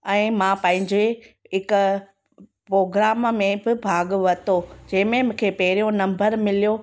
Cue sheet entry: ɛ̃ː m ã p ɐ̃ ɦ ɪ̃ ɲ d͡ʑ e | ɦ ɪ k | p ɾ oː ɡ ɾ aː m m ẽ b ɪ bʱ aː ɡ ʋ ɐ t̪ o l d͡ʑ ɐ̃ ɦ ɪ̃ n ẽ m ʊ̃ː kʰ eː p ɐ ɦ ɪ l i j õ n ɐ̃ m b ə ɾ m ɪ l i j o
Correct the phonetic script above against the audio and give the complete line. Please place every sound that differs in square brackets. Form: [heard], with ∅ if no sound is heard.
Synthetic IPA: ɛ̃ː m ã p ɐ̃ ɦ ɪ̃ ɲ d͡ʑ e | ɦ ɪ k | p ɾ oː ɡ ɾ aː m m ẽ b ɪ bʱ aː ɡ ʋ ɐ t̪ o [∅] d͡ʑ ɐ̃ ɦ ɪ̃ [m] ẽ m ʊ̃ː kʰ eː p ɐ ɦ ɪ [ɾ] i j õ n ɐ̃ m b ə ɾ m ɪ l i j o